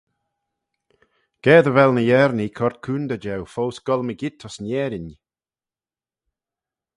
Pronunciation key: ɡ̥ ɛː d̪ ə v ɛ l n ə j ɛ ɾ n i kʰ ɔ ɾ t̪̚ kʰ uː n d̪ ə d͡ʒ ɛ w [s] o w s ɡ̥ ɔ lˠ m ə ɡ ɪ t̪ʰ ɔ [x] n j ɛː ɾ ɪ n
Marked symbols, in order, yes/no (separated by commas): no, no